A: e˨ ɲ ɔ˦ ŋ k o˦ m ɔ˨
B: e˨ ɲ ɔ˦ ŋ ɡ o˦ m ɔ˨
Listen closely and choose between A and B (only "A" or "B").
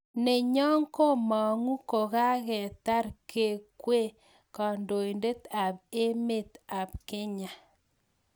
A